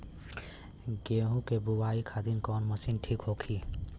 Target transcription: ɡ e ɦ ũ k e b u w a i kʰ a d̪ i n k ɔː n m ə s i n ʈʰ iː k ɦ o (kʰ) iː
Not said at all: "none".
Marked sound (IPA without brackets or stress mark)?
kʰ